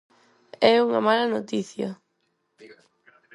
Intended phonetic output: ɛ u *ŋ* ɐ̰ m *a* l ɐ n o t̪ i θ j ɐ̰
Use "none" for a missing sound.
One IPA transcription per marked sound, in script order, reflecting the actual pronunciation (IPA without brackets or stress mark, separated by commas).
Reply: ŋ, a